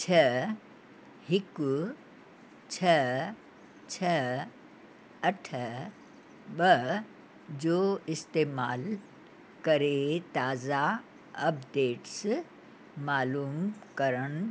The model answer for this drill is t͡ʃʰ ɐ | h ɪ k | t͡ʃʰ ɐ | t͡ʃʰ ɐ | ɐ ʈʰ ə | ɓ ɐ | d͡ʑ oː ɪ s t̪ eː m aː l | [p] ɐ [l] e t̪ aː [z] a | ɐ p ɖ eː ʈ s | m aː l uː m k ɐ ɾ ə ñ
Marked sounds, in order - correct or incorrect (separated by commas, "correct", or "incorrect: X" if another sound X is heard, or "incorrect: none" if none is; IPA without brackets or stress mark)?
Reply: incorrect: k, incorrect: ɾ, correct